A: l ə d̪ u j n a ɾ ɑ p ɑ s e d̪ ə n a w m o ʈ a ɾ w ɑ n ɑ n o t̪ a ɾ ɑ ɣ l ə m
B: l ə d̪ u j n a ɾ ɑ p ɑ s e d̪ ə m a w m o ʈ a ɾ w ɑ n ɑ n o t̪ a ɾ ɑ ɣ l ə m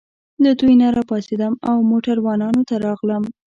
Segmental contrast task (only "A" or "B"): B